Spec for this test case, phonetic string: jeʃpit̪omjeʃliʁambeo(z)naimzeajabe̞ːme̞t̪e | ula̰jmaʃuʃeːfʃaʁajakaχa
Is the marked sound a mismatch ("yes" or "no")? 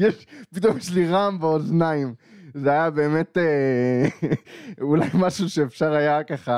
no